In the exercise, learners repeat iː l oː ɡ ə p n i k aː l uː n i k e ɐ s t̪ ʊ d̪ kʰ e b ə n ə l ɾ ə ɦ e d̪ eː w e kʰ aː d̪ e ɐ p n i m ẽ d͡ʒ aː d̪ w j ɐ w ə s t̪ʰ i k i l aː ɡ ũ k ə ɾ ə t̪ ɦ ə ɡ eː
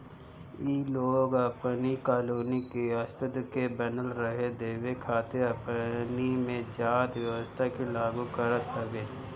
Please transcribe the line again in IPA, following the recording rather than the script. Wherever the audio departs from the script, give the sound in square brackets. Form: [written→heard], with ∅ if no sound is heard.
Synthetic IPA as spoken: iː l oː ɡ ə p n i k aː l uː n i k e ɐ s t̪ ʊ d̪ [kʰ→k] e b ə n ə l ɾ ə ɦ e d̪ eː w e kʰ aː [d̪→t̪] e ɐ p n i m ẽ d͡ʒ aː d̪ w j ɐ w ə s t̪ʰ [i→a] k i l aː ɡ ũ k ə ɾ ə t̪ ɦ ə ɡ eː